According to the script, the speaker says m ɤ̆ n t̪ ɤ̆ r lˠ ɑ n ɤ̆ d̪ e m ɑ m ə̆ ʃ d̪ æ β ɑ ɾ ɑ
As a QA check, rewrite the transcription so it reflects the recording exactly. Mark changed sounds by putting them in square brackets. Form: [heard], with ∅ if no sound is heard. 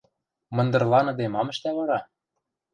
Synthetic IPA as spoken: m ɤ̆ n [d̪] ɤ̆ r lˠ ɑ n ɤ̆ d̪ e m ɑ m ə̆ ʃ [t̪] æ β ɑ ɾ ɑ